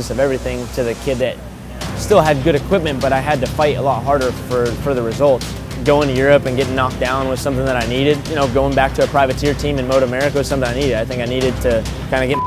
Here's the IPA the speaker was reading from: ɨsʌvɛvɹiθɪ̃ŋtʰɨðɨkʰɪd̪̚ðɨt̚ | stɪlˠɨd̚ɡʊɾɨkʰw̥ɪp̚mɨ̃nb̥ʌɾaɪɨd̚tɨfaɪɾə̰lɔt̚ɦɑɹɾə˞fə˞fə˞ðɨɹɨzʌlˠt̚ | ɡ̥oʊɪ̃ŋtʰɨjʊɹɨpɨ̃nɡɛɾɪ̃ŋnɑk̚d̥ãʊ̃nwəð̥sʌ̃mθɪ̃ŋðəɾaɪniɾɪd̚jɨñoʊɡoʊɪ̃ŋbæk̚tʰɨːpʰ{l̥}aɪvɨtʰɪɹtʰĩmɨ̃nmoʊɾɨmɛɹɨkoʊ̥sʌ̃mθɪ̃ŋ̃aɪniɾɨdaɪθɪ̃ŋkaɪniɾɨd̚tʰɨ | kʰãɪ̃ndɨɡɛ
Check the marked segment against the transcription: incorrect: ɹ̥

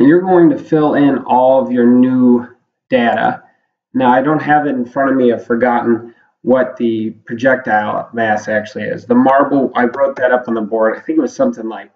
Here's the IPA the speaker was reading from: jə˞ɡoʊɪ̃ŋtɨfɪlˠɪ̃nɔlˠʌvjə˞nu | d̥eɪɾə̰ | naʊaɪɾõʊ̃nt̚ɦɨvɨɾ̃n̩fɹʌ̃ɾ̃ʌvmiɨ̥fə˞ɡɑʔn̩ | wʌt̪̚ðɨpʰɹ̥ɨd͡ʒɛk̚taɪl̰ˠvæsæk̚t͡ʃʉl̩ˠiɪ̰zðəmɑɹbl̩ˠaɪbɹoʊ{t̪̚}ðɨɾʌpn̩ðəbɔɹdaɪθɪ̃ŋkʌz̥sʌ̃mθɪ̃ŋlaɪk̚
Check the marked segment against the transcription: correct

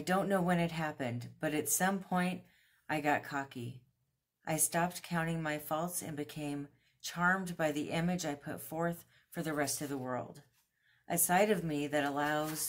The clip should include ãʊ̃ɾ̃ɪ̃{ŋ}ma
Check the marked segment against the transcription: correct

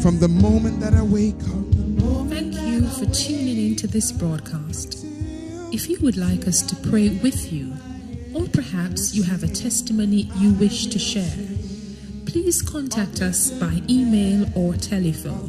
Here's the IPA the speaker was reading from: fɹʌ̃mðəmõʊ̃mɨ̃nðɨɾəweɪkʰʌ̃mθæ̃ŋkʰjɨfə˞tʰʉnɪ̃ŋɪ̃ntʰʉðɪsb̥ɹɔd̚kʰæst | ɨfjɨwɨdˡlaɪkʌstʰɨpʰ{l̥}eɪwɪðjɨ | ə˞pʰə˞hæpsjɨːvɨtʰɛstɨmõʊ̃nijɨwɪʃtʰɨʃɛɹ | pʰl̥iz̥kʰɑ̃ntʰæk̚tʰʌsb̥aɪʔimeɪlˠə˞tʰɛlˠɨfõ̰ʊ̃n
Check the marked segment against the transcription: incorrect: ɹ̥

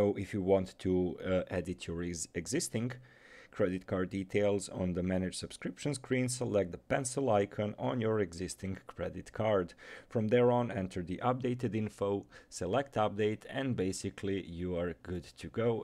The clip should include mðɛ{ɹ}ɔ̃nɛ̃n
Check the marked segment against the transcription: correct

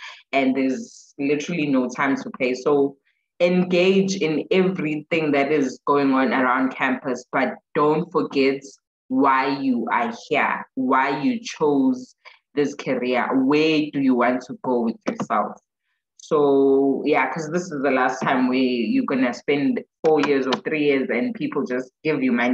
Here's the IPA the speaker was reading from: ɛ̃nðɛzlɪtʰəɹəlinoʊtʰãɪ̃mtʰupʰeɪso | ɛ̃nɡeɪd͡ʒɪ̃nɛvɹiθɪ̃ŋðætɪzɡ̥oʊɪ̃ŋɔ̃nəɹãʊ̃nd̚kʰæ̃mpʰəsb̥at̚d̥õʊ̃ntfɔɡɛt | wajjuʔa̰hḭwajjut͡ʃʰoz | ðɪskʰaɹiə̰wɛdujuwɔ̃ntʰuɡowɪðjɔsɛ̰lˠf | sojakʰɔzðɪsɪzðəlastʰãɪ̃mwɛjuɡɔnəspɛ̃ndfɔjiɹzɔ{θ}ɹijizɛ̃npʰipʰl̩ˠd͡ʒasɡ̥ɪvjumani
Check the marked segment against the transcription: correct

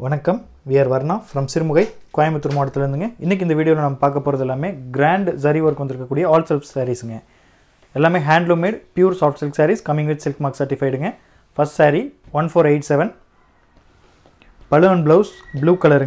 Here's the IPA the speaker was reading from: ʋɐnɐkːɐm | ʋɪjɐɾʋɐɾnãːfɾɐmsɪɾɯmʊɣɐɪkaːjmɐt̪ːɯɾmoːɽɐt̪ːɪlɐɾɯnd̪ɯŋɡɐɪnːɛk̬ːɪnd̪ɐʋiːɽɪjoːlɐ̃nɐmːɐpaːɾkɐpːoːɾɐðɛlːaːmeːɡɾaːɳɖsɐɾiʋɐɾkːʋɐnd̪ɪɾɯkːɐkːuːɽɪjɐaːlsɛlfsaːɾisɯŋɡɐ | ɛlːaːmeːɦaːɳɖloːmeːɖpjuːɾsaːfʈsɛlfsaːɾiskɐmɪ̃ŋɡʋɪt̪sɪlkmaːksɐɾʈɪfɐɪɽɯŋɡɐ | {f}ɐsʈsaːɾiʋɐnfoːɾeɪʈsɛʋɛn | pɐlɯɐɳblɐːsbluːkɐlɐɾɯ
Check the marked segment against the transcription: correct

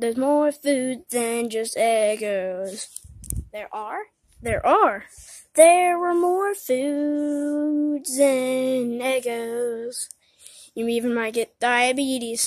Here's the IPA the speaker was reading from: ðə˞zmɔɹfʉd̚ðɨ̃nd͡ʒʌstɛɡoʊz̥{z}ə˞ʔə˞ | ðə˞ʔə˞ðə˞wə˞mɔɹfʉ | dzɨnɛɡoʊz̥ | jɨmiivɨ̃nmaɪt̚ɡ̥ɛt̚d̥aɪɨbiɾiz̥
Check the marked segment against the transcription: incorrect: ð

